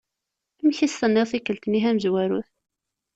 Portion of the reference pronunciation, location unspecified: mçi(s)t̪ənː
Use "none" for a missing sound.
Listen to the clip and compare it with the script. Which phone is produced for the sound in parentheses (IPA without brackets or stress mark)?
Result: s